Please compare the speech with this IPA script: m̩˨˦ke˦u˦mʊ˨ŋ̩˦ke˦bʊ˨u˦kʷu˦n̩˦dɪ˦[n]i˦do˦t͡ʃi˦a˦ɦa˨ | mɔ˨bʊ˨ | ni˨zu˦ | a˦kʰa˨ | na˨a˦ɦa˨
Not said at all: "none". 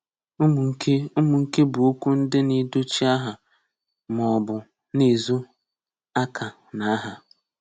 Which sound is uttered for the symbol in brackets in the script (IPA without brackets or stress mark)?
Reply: n